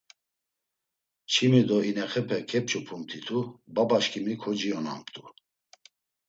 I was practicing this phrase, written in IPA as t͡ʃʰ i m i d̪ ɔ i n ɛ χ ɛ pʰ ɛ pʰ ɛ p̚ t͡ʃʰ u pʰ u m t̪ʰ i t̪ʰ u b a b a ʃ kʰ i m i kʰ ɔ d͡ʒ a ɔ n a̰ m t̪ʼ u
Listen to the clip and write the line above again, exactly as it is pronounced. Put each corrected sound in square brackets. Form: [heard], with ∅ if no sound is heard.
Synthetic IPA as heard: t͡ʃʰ i m i d̪ ɔ i n ɛ χ ɛ pʰ ɛ [kʰ] ɛ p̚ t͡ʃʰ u pʰ u m t̪ʰ i t̪ʰ u b a b a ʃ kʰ i m i kʰ ɔ d͡ʒ [i] ɔ n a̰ m t̪ʼ u

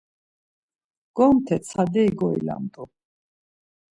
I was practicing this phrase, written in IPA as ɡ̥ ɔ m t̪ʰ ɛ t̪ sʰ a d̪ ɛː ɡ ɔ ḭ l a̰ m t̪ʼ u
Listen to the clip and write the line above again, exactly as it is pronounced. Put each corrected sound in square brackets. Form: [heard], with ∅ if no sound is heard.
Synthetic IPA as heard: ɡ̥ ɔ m t̪ʰ ɛ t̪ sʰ a d̪ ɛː ɡ ɔ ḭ l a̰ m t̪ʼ u

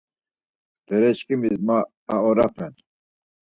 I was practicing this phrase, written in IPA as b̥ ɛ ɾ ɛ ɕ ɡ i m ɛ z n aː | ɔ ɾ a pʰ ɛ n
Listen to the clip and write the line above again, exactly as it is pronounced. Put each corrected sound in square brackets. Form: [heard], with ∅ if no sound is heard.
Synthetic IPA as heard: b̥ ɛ ɾ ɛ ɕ [k] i m [i] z [m] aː | ɔ ɾ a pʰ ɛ n

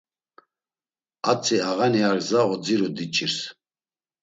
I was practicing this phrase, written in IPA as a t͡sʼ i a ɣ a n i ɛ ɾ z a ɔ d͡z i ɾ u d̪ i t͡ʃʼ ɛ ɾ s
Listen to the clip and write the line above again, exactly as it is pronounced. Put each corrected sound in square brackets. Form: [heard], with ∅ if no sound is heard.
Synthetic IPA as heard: a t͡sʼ i a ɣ a n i [a] ɾ z a ɔ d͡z i ɾ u d̪ i t͡ʃʼ [i] ɾ s

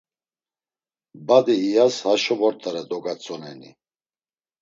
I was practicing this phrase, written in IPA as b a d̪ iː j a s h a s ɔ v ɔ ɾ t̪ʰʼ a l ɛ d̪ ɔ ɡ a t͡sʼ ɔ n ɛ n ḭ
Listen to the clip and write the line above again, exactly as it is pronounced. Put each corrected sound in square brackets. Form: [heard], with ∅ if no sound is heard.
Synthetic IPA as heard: b a d̪ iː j a s h a [ʃ] ɔ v ɔ ɾ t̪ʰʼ a [ɾ] ɛ d̪ ɔ ɡ a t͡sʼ ɔ n ɛ n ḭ

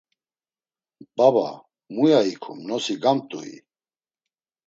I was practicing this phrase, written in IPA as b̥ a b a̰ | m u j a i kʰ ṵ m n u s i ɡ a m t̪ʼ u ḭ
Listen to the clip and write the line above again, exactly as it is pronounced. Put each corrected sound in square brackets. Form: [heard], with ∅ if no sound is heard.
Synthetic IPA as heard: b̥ a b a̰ | m u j a i kʰ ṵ m n [ɔ] s i ɡ a m t̪ʼ u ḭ

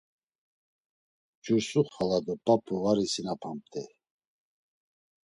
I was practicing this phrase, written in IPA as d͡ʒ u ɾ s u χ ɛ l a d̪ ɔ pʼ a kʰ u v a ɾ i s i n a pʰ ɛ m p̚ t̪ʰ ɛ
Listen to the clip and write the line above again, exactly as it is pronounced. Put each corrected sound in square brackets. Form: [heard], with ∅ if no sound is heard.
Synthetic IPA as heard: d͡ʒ u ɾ s u χ [a] l a d̪ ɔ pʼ a [pʰ] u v a ɾ i s i n a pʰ [a] m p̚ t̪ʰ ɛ

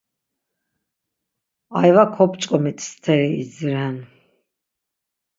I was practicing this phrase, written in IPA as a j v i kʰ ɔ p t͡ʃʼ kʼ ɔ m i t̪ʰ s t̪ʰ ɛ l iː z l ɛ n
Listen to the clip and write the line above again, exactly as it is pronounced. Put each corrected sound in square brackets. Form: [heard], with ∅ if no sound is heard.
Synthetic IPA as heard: a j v [a] kʰ ɔ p t͡ʃʼ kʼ ɔ m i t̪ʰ s t̪ʰ ɛ [ɾ] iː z [ɾ] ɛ n

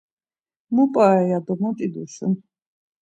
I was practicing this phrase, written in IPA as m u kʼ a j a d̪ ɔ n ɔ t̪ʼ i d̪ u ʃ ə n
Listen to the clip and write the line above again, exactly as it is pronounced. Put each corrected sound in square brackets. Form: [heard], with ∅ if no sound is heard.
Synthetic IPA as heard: m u [pʼ] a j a d̪ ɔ [m] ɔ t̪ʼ i d̪ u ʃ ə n

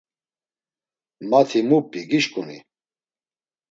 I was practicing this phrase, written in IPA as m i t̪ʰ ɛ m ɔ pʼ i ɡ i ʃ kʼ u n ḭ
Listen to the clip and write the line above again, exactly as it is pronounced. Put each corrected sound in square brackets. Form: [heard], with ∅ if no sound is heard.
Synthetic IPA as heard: m [a] t̪ʰ [i] m [u] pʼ i ɡ i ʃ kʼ u n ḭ

